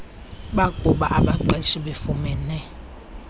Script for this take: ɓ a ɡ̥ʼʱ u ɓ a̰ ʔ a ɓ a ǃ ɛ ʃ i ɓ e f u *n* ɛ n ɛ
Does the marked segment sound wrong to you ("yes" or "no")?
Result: yes